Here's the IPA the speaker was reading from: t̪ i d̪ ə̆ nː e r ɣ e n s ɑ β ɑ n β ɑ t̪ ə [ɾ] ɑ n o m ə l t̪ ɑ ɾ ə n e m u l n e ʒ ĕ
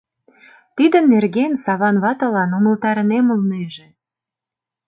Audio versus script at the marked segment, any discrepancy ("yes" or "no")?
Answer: yes